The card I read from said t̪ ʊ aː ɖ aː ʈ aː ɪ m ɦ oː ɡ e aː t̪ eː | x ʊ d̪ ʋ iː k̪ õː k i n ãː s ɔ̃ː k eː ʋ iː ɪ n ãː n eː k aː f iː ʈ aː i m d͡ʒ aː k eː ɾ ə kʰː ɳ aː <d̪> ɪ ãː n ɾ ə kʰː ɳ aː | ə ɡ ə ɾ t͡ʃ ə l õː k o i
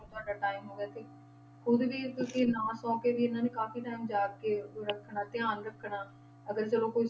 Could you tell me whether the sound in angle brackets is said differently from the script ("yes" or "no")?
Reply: yes